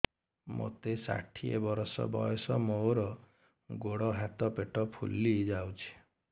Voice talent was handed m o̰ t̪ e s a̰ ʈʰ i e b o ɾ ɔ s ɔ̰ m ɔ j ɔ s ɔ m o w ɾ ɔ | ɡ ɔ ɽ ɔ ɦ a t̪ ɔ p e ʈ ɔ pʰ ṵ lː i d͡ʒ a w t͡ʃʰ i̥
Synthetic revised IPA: m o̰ t̪ e s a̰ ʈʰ i e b ɔ ɾ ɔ s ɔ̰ b ɔ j ɔ s ɔ m o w ɾ ɔ | ɡ o ɽ ɔ ɦ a t̪ ɔ p e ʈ ɔ pʰ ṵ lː i d͡ʒ a w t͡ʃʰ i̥